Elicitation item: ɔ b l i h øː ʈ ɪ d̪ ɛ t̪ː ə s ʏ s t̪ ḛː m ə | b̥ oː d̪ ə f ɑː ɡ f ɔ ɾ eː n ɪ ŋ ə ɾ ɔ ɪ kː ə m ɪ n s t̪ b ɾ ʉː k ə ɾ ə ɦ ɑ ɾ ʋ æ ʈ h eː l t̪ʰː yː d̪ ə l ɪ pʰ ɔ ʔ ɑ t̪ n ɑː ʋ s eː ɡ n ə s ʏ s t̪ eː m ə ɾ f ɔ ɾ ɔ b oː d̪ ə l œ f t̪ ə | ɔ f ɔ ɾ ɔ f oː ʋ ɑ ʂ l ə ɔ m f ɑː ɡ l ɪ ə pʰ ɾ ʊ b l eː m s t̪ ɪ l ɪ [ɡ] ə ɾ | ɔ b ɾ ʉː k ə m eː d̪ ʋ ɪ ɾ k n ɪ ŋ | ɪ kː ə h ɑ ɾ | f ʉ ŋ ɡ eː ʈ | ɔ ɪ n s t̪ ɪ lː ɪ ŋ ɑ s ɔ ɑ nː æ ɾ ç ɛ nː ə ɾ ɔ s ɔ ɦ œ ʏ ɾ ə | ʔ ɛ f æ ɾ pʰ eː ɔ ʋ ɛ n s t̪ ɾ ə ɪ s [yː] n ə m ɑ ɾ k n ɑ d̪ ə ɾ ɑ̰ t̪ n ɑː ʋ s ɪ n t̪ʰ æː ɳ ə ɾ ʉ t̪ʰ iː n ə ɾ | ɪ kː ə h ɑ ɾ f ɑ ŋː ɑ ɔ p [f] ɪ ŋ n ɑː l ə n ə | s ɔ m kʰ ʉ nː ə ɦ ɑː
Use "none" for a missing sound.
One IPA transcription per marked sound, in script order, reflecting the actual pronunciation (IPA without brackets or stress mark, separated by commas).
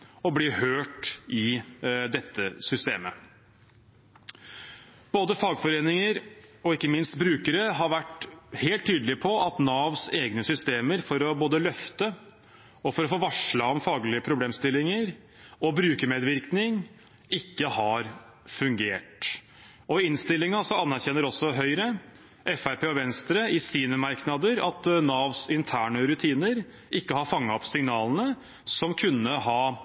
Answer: ŋ, iː, s